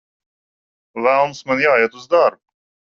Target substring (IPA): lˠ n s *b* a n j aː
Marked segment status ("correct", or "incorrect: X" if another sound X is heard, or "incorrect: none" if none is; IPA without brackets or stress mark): incorrect: m